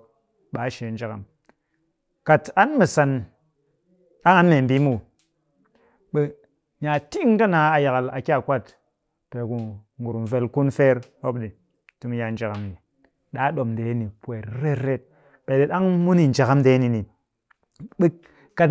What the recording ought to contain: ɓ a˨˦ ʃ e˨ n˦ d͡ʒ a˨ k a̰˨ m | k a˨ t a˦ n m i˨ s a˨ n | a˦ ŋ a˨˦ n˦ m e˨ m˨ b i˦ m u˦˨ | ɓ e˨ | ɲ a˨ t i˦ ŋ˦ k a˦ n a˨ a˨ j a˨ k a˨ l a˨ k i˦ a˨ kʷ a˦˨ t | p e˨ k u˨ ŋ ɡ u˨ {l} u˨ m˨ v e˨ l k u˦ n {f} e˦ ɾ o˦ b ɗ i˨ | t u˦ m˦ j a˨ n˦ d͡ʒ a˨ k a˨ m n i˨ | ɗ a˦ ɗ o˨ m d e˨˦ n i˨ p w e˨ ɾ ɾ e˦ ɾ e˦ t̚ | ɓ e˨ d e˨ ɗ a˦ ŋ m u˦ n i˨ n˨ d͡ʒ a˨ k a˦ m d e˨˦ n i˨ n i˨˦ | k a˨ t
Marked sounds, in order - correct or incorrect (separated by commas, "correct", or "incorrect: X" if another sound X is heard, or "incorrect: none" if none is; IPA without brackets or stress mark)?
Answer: incorrect: ɾ, correct